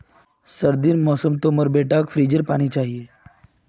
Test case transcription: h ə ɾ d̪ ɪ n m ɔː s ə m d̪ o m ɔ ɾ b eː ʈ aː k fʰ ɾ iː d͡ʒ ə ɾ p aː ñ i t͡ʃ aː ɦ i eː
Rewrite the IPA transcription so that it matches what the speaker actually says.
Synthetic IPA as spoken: s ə ɾ d̪ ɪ n m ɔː s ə m t̪ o m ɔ ɾ b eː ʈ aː k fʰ ɾ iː d͡ʒ ə ɾ p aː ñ i t͡ʃ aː ɦ i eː